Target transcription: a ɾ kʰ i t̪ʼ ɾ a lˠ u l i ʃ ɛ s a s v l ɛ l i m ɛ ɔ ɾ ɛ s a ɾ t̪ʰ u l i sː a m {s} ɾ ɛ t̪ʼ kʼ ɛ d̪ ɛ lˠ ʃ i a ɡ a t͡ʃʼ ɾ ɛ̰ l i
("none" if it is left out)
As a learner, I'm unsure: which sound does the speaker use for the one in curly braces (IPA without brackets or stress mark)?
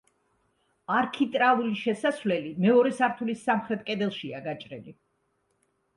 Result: χ